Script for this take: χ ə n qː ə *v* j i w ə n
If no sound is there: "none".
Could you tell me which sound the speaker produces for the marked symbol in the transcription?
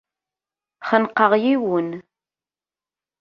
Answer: ʁ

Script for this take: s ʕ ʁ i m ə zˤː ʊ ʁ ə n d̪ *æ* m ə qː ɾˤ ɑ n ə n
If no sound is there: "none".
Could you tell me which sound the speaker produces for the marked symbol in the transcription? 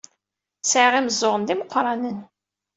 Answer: i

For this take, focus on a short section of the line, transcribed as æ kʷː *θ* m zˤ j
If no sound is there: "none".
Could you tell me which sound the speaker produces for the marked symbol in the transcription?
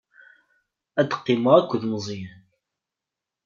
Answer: ð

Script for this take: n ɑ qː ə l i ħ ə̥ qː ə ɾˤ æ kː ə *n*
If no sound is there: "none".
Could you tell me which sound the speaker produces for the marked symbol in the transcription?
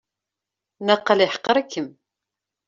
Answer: m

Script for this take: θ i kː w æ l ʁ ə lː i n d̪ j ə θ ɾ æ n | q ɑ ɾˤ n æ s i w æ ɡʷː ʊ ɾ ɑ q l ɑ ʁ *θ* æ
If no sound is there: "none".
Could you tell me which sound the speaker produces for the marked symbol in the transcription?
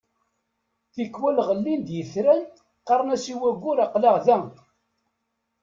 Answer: ð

